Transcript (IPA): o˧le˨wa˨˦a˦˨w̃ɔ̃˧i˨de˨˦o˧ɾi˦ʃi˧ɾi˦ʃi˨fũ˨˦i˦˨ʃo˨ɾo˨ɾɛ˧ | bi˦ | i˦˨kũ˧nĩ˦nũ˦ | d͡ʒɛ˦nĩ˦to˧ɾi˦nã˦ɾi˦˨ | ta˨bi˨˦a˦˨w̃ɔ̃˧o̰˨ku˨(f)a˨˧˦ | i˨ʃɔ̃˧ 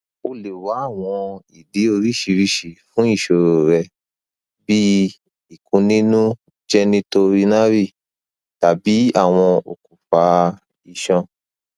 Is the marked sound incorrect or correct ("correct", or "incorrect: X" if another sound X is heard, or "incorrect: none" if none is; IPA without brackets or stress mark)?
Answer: correct